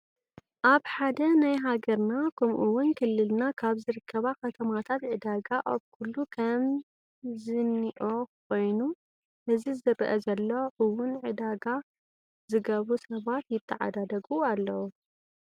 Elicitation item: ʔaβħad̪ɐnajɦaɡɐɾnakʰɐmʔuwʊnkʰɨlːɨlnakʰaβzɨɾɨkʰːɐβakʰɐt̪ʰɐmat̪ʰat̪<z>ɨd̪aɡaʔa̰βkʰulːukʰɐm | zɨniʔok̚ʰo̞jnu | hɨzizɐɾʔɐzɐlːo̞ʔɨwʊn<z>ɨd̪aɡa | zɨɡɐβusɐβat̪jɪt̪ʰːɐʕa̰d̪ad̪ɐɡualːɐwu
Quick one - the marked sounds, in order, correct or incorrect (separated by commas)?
incorrect, incorrect